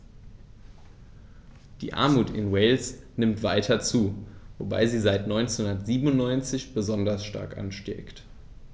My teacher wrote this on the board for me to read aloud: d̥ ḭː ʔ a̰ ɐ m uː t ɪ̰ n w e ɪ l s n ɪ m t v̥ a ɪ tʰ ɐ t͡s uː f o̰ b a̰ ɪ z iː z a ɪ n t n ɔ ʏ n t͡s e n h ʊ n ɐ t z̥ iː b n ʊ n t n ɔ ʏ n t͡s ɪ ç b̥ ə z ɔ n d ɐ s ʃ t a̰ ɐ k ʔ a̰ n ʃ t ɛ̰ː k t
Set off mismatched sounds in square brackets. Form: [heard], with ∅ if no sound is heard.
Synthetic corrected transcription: d̥ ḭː ʔ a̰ ɐ m uː t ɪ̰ n w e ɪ l s n ɪ m t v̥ a ɪ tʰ ɐ t͡s uː [v] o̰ b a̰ ɪ z iː z a ɪ [∅] t n ɔ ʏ n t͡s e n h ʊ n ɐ t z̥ iː b n ʊ n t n ɔ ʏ n t͡s ɪ ç b̥ ə z ɔ n d ɐ s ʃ t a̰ ɐ k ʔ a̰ n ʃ t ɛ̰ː k t

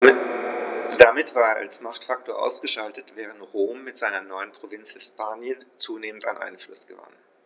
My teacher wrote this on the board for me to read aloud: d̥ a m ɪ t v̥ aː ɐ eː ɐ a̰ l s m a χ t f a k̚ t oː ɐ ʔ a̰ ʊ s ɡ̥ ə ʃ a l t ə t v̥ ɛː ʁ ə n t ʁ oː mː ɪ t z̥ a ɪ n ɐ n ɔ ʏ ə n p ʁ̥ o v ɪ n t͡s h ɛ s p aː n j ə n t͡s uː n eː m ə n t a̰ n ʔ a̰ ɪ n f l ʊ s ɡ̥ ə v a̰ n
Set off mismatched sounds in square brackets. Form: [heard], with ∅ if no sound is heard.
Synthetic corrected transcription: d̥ a m ɪ t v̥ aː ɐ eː ɐ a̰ l s m a χ t f a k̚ t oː ɐ ʔ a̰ ʊ s ɡ̥ ə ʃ a l t ə t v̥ ɛː ʁ ə n t ʁ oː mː ɪ t z̥ a ɪ n ɐ n ɔ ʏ ə n p ʁ̥ o v ɪ n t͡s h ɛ s p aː n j ə n t͡s uː n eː m ə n t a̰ n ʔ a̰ ɪ n f l ʊ s ɡ̥ ə v a̰ n

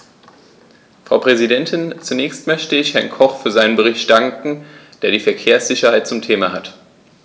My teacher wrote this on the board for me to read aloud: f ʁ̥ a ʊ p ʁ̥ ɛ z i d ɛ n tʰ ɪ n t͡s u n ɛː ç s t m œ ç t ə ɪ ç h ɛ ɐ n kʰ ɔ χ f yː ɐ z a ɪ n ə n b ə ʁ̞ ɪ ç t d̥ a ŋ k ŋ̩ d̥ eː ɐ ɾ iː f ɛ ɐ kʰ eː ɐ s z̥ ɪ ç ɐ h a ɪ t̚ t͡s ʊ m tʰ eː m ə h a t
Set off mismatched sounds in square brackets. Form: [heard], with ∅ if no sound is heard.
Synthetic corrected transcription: f ʁ̥ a ʊ p ʁ̥ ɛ z i d ɛ n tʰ ɪ n t͡s u n ɛː ç s t m œ ç t ə ɪ ç h ɛ ɐ n kʰ ɔ χ f yː ɐ z a ɪ n ə n b ə ʁ̞ ɪ ç t d̥ a ŋ k ŋ̩ d̥ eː ɐ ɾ iː f ɛ ɐ kʰ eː ɐ s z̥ ɪ ç ɐ h a ɪ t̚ t͡s ʊ m tʰ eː m [a] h a t

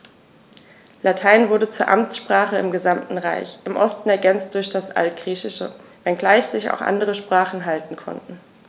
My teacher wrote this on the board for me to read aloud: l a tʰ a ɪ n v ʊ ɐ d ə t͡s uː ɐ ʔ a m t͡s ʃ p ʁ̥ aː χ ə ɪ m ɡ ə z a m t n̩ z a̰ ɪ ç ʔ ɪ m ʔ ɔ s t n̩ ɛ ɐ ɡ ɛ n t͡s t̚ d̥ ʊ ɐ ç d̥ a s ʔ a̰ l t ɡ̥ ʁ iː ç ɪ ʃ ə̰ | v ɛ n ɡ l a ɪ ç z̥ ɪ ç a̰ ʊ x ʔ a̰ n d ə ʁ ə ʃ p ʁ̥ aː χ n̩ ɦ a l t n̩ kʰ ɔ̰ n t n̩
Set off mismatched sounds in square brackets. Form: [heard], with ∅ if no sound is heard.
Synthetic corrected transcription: l a tʰ a ɪ n v ʊ ɐ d ə t͡s uː ɐ ʔ a m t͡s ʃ p ʁ̥ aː χ ə ɪ m ɡ ə z a m t n̩ [ʁ] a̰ ɪ ç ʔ ɪ m ʔ ɔ s t n̩ ɛ ɐ ɡ ɛ n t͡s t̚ d̥ ʊ ɐ ç d̥ a s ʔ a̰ l t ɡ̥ ʁ iː ç ɪ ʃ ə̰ | v ɛ n ɡ l a ɪ ç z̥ ɪ ç a̰ ʊ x ʔ a̰ n d ə ʁ ə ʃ p ʁ̥ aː χ n̩ ɦ a l t n̩ kʰ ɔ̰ n t n̩

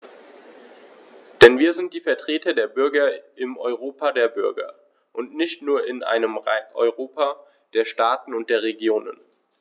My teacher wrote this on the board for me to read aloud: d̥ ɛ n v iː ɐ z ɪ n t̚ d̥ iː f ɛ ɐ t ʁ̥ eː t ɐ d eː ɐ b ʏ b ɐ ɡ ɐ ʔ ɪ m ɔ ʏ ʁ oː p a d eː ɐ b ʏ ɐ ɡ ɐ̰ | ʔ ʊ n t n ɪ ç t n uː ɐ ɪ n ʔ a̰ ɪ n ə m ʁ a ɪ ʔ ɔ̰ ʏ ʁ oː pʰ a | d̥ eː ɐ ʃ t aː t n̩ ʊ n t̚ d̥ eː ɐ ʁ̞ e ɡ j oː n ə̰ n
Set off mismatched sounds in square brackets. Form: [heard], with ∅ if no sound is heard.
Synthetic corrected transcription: d̥ ɛ n v iː ɐ z ɪ n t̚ d̥ iː f ɛ ɐ t ʁ̥ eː t ɐ d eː ɐ b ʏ [∅] ɐ ɡ ɐ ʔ ɪ m ɔ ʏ ʁ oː p a d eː ɐ b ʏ ɐ ɡ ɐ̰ | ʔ ʊ n t n ɪ ç t n uː ɐ ɪ n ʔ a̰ ɪ n ə m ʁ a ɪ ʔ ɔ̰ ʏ ʁ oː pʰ a | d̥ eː ɐ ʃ t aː t n̩ ʊ n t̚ d̥ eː ɐ ʁ̞ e ɡ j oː n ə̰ n

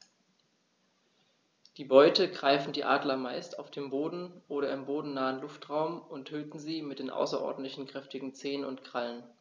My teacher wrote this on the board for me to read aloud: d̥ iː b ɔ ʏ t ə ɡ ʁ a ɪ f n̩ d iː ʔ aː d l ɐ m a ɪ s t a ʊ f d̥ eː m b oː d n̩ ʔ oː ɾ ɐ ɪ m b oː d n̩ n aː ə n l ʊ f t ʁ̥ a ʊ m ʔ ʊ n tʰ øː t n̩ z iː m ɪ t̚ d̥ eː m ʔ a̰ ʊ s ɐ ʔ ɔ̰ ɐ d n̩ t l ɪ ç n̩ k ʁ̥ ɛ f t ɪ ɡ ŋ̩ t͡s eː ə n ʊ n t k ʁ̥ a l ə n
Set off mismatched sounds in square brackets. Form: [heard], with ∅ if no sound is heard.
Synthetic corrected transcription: d̥ iː b ɔ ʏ t ə ɡ ʁ a ɪ f n̩ d iː ʔ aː d l ɐ m a ɪ s t a ʊ f d̥ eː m b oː d n̩ ʔ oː ɾ ɐ ɪ m b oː d n̩ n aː ə n l ʊ f t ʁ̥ a ʊ m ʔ ʊ n tʰ øː t n̩ z iː m ɪ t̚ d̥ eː [n] ʔ a̰ ʊ s ɐ ʔ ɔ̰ ɐ d n̩ t l ɪ ç n̩ k ʁ̥ ɛ f t ɪ ɡ ŋ̩ t͡s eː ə n ʊ n t k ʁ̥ a l ə n

